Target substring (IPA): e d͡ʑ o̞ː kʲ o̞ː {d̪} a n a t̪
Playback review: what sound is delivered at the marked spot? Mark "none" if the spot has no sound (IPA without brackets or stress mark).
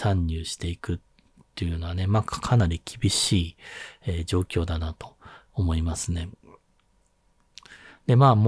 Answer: d̪